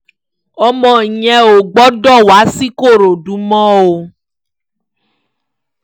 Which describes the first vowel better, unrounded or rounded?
rounded